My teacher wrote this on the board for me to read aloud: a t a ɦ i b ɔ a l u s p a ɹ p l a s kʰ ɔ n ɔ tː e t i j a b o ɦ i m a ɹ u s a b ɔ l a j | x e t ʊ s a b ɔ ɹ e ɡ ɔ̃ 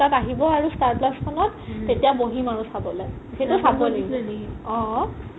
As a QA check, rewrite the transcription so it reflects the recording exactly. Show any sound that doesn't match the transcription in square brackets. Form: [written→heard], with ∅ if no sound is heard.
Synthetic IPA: a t a ɦ i b ɔ a [l→ɹ] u s [p→t] a ɹ p l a s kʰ ɔ n ɔ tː e t i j a b o ɦ i m a ɹ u s a b ɔ l a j | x e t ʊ s a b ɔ [ɹ→l] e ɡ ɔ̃